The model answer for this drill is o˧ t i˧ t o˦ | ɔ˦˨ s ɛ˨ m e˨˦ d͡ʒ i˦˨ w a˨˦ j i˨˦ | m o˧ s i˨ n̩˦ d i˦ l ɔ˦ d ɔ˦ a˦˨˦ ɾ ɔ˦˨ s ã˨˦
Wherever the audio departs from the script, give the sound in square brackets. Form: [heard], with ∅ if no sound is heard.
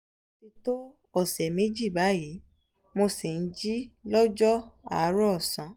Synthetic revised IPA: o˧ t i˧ t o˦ | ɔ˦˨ s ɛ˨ m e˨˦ d͡ʒ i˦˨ [b] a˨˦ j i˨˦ | m o˧ s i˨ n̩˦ [d͡ʒ] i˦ l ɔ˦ [d͡ʒ] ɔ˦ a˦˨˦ ɾ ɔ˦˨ s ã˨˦